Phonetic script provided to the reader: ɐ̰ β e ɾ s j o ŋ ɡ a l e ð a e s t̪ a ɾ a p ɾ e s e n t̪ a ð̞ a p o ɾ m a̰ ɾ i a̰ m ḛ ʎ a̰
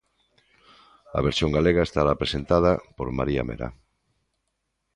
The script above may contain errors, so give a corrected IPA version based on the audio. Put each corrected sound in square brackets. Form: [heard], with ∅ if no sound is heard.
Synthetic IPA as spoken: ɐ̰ β e ɾ s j o ŋ ɡ a l e [ɣ] a e s t̪ a ɾ a p ɾ e s e n t̪ a ð̞ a p o ɾ m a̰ ɾ i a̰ m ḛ [ɾ] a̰